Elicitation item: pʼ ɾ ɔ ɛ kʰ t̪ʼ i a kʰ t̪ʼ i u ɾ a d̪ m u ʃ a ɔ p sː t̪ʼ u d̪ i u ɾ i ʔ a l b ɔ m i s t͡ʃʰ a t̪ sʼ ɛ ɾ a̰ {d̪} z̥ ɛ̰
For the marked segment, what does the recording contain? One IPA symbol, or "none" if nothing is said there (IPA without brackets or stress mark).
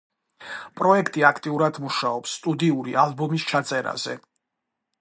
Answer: none